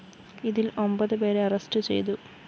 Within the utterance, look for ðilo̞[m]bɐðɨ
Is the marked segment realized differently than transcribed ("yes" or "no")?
no